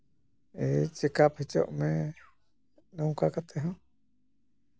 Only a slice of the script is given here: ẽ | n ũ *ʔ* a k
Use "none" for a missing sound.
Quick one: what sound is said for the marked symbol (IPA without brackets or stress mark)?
k